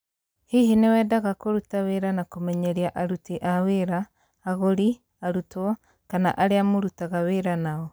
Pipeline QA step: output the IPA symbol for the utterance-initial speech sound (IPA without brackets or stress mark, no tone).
h